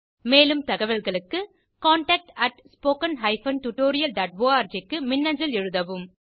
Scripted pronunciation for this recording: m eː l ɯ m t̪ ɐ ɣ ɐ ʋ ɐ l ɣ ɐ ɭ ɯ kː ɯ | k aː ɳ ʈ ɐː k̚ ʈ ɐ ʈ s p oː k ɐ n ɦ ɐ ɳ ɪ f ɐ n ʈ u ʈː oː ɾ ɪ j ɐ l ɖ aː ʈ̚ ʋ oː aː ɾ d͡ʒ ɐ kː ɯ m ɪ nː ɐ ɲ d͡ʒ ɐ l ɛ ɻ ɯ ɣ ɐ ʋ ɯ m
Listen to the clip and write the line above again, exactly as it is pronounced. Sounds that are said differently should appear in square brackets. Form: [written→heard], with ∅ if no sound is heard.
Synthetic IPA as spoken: m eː l ɯ m t̪ ɐ ɣ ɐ ʋ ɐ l ɣ ɐ ɭ ɯ kː ɯ | k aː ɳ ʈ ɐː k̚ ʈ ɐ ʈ s p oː k ɐ n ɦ ɐ [ɳ→∅] ɪ f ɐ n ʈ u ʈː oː ɾ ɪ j ɐ l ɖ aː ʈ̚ ʋ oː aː ɾ d͡ʒ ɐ kː ɯ m ɪ nː ɐ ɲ d͡ʒ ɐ l ɛ ɻ ɯ [ɣ→ð] ɐ ʋ ɯ m